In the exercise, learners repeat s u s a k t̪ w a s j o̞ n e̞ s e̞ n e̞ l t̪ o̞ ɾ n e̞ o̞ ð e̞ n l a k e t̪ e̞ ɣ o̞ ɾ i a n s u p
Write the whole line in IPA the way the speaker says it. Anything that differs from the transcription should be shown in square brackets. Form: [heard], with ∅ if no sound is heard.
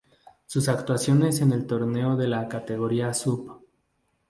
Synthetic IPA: s u s a k t̪ w a s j o̞ n e̞ s e̞ n e̞ l t̪ o̞ ɾ n e̞ o̞ ð e̞ [∅] l a k [a] t̪ e̞ ɣ o̞ ɾ i a [∅] s u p